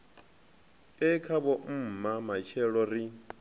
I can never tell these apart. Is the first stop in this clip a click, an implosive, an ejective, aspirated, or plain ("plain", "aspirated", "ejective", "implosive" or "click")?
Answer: aspirated